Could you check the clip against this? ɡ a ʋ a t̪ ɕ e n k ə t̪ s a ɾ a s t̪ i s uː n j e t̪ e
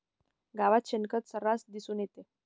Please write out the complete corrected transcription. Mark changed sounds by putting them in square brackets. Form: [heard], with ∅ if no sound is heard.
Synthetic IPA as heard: ɡ a ʋ a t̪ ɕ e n k ə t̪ s [ə] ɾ a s [d̪] i s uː n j e t̪ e